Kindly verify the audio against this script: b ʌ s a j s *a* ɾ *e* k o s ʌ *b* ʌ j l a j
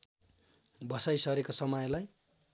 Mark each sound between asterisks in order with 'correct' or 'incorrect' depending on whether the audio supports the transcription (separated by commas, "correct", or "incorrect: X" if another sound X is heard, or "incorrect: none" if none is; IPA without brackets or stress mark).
incorrect: ʌ, correct, incorrect: m